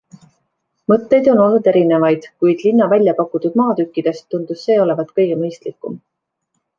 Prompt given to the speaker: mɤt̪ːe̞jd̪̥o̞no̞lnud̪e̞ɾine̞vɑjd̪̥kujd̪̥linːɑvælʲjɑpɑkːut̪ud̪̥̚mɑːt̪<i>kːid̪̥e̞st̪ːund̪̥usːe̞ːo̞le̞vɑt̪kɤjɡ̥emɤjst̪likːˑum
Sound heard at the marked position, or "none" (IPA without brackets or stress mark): y